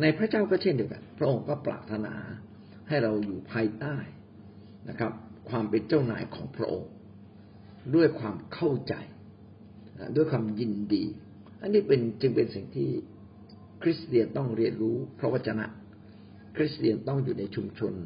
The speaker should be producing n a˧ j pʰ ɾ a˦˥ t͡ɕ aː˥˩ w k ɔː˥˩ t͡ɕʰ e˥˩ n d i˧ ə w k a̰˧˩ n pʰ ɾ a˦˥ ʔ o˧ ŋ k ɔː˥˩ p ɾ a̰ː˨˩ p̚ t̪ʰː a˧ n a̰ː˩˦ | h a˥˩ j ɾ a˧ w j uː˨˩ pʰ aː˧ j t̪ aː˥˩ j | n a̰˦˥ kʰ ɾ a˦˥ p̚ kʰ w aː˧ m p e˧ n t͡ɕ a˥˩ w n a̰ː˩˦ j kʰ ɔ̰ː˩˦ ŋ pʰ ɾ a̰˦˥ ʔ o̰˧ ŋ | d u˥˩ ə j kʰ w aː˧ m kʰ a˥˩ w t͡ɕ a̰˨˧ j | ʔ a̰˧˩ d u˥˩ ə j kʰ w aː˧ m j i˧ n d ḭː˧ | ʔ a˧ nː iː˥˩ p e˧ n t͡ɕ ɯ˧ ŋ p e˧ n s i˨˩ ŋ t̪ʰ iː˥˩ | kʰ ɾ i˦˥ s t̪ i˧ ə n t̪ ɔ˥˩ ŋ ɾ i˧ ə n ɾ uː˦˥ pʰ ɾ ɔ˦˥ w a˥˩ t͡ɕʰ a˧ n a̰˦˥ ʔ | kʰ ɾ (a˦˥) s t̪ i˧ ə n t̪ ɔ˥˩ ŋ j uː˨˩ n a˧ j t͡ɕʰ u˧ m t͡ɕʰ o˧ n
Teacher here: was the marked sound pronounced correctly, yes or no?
no